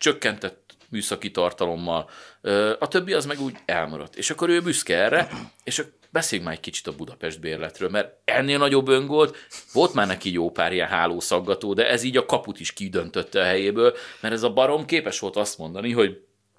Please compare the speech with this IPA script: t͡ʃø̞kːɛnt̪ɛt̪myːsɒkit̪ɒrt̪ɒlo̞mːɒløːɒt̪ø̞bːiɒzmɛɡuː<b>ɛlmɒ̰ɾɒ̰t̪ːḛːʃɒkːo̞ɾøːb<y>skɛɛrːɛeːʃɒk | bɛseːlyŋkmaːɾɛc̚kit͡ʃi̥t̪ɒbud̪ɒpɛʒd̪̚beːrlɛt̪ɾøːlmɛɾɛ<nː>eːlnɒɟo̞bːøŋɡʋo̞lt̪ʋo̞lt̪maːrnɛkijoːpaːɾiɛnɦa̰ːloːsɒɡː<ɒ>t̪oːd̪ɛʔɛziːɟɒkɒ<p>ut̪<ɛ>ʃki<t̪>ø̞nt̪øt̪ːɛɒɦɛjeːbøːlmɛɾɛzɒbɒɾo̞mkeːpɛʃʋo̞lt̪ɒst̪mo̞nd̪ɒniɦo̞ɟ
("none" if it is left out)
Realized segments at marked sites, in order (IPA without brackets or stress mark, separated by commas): ɟ, y, nː, ɒ, p, i, d̪